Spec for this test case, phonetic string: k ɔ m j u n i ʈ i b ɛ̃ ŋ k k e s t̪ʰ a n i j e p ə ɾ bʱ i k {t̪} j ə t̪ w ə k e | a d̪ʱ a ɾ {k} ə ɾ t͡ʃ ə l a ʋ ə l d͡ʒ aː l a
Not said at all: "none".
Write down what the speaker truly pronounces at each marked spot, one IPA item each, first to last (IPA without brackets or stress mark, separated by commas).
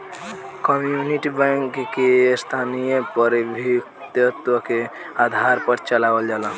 t̪, p